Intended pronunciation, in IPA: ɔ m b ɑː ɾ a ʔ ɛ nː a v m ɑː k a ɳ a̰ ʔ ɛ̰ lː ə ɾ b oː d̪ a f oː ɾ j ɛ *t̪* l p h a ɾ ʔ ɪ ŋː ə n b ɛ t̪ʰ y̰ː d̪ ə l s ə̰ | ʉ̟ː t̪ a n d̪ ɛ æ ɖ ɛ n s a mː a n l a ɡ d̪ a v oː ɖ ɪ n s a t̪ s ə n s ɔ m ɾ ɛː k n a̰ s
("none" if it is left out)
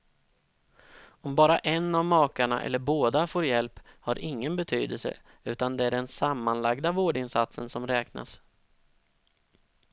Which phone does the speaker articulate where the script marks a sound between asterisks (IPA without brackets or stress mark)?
none